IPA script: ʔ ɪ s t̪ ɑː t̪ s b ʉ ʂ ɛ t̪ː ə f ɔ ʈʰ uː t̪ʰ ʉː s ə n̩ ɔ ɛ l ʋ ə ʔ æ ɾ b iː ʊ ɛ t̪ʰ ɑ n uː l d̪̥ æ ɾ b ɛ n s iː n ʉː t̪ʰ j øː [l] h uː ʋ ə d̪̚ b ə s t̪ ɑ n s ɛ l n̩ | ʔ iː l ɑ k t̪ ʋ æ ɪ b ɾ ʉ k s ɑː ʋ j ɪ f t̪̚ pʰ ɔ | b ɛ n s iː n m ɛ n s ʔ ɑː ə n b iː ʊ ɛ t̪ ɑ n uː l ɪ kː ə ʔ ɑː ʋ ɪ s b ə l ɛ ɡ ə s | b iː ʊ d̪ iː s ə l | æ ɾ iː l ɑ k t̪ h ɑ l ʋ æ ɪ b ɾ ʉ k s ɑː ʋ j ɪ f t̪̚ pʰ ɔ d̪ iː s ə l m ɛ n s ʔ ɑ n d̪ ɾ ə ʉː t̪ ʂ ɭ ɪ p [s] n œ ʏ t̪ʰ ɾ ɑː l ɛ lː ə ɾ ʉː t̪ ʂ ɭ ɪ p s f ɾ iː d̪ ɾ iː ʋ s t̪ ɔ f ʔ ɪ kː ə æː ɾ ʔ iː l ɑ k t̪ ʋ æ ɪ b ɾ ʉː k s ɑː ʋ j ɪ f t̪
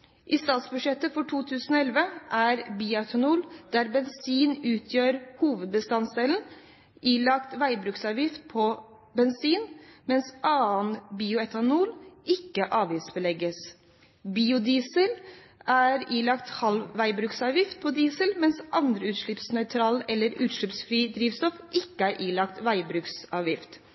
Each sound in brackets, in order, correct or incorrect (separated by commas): incorrect, correct